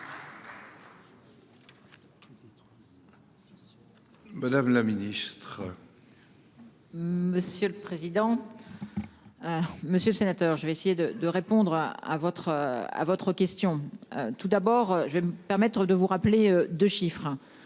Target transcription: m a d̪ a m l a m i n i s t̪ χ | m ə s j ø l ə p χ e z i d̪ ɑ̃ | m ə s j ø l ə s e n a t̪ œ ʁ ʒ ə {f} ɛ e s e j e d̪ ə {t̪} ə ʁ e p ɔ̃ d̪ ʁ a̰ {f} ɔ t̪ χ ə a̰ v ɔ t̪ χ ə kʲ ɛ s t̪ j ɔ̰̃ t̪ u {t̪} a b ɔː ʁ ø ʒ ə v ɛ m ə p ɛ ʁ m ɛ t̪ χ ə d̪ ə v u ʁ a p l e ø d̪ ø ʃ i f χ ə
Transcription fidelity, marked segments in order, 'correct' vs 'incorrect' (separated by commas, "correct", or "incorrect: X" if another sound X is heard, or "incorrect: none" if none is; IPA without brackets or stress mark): incorrect: v, incorrect: d̪, incorrect: v, incorrect: d̪